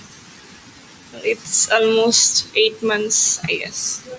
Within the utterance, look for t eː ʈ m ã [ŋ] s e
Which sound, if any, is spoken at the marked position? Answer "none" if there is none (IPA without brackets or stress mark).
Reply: n